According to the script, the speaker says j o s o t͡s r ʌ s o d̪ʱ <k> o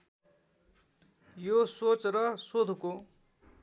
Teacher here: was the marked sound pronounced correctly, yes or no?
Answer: yes